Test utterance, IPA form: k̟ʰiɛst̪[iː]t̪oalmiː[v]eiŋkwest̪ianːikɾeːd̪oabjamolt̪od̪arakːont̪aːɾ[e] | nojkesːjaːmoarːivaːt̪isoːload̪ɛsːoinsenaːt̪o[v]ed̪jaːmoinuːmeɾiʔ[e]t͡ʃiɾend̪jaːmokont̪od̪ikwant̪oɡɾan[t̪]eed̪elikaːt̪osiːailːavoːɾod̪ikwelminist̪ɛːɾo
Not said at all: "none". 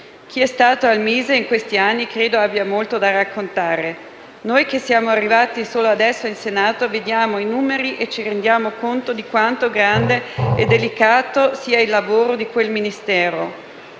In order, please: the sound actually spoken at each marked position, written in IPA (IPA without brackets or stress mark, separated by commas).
aː, z, e, v, e, d̪